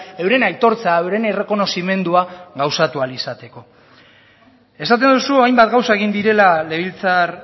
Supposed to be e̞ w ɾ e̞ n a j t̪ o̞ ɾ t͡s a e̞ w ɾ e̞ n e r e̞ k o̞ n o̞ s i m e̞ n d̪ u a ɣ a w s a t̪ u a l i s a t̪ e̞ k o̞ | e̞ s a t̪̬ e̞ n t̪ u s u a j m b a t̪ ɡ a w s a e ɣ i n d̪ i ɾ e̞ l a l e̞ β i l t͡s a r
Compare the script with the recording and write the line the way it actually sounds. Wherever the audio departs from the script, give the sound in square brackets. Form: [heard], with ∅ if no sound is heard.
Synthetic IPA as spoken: e̞ w ɾ e̞ n a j t̪ o̞ ɾ t͡s a e̞ w ɾ e̞ n e r e̞ k o̞ n o̞ s i m e̞ n d̪ u a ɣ a w s a t̪ u a l i s a t̪ e̞ k o̞ | e̞ s a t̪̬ e̞ n [d̪] u s u a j m b a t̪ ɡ a w s a e ɣ i n d̪ i ɾ e̞ l a l e̞ β i l t͡s a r